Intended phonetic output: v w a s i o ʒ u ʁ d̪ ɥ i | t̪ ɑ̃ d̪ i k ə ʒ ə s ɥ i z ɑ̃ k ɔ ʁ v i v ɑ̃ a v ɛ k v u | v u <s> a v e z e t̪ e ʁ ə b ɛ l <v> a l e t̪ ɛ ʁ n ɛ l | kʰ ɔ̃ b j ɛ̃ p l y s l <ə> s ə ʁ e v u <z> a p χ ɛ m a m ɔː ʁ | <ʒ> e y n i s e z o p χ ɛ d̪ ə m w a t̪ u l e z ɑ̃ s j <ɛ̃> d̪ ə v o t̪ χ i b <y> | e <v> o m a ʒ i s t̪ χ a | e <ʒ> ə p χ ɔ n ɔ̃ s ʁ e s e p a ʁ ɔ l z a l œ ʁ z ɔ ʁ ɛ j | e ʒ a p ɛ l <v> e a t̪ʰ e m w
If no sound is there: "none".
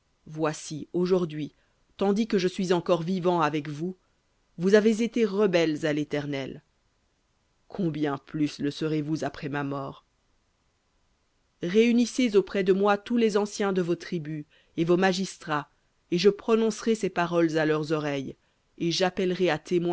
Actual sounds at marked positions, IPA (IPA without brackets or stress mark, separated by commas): z, z, ə, z, ʁ, ɛ̃, y, v, ʒ, ʁ